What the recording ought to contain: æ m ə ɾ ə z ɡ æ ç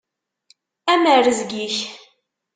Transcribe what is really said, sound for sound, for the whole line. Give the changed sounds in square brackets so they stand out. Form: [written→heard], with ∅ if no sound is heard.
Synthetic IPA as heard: æ m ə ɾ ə z ɡ [æ→i] ç